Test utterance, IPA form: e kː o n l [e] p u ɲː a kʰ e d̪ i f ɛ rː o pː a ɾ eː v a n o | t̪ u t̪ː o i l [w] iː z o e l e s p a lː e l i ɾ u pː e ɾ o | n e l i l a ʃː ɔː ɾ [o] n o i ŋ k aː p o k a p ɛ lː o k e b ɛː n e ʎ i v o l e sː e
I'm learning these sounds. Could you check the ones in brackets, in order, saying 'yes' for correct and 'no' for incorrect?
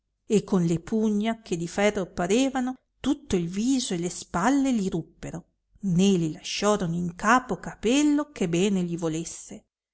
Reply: yes, no, yes

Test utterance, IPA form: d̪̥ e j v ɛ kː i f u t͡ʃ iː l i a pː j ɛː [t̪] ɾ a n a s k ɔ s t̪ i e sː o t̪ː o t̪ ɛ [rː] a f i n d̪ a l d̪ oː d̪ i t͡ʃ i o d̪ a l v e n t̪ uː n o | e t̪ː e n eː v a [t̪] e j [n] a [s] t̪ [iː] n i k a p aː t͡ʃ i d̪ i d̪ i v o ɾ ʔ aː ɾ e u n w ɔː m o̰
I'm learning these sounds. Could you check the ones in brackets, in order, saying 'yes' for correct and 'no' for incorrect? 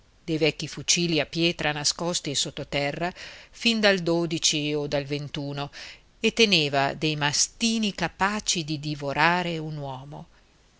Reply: yes, yes, no, no, yes, yes

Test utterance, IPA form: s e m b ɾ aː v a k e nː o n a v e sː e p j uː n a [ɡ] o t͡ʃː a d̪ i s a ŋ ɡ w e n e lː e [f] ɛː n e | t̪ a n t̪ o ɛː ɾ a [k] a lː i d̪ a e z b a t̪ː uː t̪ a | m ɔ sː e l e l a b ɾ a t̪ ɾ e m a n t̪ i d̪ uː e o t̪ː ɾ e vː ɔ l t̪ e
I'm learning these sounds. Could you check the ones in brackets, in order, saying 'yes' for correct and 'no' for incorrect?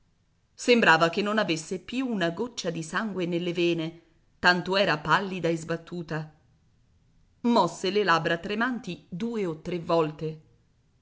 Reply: yes, no, no

